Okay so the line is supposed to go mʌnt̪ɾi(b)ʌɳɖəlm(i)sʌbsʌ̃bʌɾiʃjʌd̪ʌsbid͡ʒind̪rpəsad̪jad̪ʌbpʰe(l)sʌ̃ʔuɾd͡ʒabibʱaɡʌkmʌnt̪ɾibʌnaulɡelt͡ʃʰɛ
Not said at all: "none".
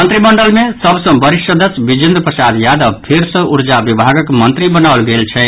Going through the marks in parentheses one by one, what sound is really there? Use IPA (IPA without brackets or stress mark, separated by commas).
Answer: m, e, ɾ